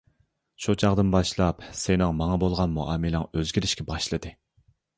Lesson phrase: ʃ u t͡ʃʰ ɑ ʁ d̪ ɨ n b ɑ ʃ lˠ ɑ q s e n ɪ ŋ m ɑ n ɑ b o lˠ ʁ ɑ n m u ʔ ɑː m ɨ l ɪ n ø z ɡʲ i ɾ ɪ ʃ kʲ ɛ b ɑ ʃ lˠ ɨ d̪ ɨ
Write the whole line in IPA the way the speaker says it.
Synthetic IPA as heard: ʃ u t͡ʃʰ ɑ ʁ d̪ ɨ n b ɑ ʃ lˠ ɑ p s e n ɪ ŋ m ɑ ŋ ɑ b o lˠ ʁ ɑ n m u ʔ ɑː m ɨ l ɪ ŋ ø z ɡʲ i ɾ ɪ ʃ kʲ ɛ b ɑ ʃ lˠ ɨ d̪ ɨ